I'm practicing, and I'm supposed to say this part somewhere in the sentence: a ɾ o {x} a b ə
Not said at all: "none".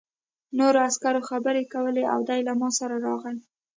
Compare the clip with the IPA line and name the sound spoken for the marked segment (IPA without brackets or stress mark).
x